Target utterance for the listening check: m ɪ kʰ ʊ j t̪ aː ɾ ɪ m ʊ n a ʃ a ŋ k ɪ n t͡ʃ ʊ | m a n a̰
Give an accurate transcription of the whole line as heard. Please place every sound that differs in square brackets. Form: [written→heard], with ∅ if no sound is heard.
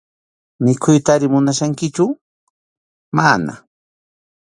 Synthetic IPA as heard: m ɪ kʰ ʊ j t̪ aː ɾ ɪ m ʊ n a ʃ a ŋ k ɪ [n→∅] t͡ʃ ʊ | m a n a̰